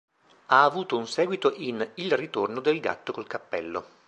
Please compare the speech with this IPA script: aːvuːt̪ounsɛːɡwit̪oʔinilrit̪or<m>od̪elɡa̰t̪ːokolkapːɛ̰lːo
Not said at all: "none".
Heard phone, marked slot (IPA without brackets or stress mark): n